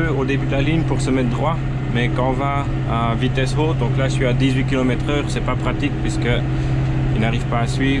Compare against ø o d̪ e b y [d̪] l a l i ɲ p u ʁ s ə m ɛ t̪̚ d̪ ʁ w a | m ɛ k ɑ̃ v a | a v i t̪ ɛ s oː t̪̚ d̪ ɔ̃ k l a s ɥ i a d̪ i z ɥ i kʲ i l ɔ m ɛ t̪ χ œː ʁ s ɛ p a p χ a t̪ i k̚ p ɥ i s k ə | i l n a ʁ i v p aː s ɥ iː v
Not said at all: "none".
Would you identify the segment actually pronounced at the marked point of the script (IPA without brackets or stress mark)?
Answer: d̪